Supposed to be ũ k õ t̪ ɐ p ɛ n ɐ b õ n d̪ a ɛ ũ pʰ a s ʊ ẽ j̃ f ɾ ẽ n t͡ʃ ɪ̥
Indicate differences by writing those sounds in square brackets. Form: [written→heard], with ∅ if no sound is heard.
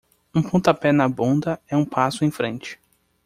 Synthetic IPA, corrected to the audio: ũ [k→p] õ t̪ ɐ p ɛ n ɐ b õ n d̪ [a→ɐ] ɛ ũ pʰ a s ʊ ẽ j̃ f ɾ ẽ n t͡ʃ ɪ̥